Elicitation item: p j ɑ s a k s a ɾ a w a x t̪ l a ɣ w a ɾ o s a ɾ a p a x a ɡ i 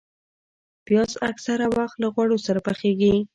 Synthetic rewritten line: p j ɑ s a k s a ɾ a w a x t̪ l a ɣ w a ɽ o s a ɾ a p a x e ɡ i